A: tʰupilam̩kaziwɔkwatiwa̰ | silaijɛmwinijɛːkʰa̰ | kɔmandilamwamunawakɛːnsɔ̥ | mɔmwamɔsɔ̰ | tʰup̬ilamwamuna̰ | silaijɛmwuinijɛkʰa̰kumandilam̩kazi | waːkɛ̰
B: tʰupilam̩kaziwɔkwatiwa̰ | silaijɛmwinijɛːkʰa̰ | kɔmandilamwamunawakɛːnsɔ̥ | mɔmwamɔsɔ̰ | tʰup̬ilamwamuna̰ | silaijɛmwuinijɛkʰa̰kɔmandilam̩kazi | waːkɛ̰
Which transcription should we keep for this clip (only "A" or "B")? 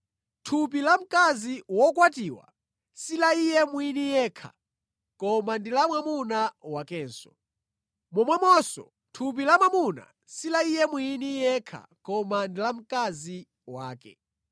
B